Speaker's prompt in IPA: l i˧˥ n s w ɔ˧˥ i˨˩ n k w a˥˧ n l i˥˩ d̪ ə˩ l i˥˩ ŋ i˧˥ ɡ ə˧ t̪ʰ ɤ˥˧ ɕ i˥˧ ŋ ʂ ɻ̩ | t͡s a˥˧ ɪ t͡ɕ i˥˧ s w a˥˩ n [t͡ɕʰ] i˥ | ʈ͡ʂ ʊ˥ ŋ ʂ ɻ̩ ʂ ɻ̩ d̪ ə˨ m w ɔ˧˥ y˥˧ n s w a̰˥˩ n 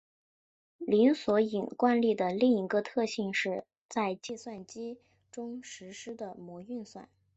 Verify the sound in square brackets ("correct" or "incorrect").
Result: incorrect